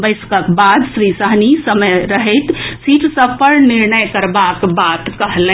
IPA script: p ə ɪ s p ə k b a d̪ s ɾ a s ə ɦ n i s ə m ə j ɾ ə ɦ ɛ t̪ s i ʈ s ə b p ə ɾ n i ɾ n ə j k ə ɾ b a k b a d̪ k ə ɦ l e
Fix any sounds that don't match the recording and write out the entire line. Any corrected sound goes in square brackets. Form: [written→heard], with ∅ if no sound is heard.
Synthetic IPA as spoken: [p→b] ə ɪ s [p→k] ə k b a d̪ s ɾ [a→i] s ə ɦ n i s ə m ə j ɾ ə ɦ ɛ t̪ s i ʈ s ə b p ə ɾ n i ɾ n ə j k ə ɾ b a k b a [d̪→t̪] k ə ɦ l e